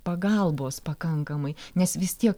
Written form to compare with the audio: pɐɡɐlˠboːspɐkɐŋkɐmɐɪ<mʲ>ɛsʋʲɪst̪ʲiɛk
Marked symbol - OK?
no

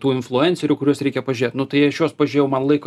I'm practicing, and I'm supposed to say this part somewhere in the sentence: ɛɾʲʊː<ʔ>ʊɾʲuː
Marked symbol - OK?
no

